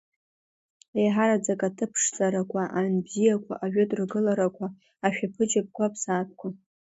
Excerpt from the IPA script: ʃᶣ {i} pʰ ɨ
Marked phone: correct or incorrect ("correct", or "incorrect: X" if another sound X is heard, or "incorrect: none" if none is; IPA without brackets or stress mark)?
incorrect: a